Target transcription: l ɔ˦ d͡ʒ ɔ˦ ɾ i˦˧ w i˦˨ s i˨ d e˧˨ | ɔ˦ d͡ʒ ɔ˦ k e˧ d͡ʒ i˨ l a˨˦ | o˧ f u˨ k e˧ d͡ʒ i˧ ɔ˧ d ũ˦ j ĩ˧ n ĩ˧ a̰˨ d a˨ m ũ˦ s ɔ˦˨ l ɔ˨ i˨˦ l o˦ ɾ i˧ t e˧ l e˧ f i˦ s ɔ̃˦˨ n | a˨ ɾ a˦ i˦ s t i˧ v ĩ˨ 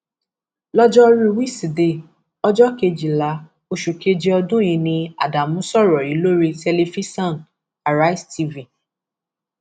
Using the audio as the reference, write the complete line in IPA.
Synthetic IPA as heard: l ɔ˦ d͡ʒ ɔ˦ ɾ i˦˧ w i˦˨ s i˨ d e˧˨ | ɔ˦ d͡ʒ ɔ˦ k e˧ d͡ʒ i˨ l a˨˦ | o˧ ʃ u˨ k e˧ d͡ʒ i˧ ɔ˧ d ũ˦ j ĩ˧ n ĩ˧ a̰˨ d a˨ m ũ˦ s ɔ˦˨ ɾ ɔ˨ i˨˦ l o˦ ɾ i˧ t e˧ l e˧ f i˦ s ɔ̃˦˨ n | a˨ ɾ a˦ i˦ s t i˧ v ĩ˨